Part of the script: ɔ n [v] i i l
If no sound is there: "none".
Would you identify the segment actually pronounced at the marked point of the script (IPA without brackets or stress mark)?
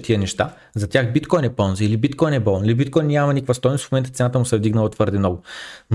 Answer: z